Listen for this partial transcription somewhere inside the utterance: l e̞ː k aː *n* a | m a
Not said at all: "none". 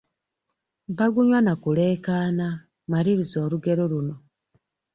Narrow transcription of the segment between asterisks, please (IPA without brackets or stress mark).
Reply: n